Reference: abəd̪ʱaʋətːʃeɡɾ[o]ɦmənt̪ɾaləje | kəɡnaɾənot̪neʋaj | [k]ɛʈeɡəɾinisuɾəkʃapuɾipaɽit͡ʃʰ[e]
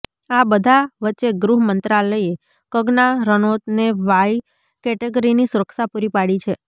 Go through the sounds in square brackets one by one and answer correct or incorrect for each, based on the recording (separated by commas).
incorrect, correct, correct